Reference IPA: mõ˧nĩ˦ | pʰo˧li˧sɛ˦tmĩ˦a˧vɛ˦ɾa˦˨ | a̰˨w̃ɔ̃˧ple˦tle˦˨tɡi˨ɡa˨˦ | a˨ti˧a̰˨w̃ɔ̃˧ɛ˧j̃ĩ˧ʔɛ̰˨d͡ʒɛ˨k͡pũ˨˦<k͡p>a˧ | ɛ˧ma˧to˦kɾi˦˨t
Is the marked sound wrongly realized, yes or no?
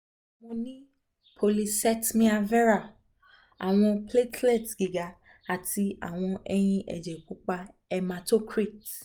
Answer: no